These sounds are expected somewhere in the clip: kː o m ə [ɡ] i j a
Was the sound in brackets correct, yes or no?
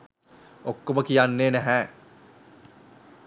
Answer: no